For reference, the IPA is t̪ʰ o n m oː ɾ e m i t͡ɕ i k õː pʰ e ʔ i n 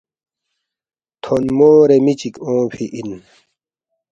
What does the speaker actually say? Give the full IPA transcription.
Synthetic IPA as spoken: t̪ʰ o n m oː ɾ e m i t͡ɕ i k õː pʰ i ʔ i n